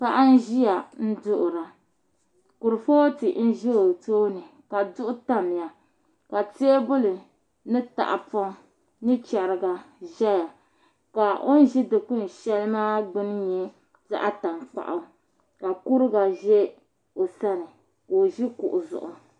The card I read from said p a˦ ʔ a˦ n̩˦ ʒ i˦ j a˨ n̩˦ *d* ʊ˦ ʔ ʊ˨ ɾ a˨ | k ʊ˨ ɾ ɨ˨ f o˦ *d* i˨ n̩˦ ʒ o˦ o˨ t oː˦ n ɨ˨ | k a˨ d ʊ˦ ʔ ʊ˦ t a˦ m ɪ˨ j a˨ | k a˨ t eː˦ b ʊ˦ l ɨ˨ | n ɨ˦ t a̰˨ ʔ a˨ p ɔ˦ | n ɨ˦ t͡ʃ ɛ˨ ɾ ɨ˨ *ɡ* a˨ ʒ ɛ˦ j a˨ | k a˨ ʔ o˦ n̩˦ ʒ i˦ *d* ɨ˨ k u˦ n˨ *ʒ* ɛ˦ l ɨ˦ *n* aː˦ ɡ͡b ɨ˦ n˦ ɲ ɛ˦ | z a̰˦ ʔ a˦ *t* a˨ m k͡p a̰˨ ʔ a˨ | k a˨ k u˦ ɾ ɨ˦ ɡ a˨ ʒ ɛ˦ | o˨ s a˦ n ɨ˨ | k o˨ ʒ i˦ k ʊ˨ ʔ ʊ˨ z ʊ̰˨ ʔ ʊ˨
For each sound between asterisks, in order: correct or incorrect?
correct, incorrect, correct, correct, incorrect, incorrect, correct

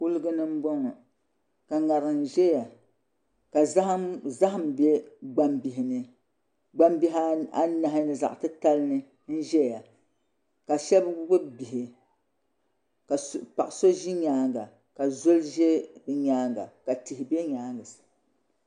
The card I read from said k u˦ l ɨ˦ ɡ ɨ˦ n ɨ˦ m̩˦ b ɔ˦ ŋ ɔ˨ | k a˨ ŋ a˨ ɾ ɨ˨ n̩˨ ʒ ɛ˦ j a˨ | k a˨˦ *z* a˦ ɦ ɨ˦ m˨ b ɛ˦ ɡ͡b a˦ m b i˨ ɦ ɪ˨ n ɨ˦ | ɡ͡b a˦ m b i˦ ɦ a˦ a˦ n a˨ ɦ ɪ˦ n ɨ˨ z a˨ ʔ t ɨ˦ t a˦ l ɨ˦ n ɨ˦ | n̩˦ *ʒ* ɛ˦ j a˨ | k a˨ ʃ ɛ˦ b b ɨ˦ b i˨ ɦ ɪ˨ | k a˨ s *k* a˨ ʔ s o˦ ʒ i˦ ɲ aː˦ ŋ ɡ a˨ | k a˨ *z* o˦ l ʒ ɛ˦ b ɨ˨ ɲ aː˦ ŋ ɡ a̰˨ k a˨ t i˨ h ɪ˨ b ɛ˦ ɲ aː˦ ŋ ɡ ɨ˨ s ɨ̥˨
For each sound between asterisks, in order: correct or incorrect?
correct, correct, incorrect, correct

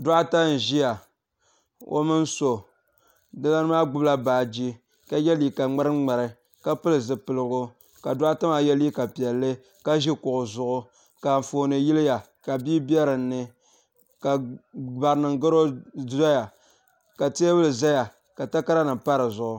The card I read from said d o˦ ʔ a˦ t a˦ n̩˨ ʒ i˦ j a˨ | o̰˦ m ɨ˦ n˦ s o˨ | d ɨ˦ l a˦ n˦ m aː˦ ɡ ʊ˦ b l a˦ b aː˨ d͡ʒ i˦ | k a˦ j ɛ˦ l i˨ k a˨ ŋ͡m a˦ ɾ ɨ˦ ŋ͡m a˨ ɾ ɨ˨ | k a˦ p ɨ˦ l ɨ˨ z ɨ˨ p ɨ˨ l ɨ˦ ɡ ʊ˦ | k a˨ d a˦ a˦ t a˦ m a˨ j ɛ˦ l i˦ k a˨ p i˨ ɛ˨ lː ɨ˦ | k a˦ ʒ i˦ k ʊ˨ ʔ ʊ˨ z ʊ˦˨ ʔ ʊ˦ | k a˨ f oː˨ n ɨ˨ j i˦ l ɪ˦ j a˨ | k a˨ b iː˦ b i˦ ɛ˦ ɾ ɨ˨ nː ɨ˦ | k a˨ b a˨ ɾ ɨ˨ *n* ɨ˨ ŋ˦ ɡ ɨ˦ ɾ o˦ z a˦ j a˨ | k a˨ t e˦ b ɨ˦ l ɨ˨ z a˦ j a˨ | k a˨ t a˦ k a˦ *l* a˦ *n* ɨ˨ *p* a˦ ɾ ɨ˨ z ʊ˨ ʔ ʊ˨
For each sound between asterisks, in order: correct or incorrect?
correct, incorrect, correct, correct

